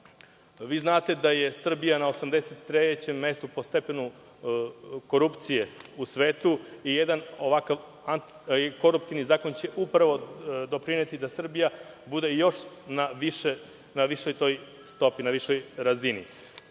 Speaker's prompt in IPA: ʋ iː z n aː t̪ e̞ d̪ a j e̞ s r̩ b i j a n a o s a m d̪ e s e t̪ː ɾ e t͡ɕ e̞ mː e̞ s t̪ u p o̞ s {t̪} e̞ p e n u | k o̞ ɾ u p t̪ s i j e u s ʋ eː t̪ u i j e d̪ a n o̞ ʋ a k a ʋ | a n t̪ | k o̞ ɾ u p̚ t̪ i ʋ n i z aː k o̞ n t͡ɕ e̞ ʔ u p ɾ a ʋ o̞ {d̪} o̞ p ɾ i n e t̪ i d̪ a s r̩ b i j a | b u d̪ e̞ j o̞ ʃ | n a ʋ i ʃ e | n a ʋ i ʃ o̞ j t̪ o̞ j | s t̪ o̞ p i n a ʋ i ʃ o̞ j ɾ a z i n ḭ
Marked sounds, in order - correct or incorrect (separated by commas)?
correct, correct